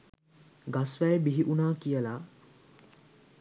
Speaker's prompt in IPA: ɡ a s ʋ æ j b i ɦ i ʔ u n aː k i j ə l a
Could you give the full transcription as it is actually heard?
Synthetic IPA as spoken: ɡ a s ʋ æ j b i ɦ i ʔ u n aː k i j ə l a